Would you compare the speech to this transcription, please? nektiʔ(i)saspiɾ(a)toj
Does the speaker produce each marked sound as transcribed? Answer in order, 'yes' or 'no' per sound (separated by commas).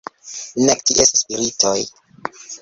no, no